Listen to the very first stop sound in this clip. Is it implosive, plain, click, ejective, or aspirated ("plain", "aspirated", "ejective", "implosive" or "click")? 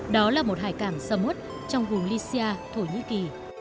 implosive